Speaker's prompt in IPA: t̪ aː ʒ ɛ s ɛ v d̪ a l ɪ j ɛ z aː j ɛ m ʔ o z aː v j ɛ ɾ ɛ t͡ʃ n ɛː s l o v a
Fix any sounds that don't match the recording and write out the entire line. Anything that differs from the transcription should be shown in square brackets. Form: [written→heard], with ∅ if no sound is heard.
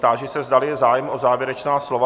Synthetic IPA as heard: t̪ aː ʒ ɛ s ɛ [v→z] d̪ a l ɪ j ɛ z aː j ɛ m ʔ o z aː v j ɛ ɾ ɛ t͡ʃ n [ɛː→aː] s l o v a